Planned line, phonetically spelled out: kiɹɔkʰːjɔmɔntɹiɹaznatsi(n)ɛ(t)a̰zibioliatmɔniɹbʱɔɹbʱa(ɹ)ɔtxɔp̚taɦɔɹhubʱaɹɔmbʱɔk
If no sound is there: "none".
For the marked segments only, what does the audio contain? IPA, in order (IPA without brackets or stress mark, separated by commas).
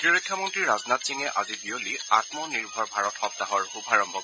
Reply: ŋ, ʔ, ɹ